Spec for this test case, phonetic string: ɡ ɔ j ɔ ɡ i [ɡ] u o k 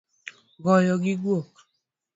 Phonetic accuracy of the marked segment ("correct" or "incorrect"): correct